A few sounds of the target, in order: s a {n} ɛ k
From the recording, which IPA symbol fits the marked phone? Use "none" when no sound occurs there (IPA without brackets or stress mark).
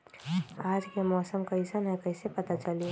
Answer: n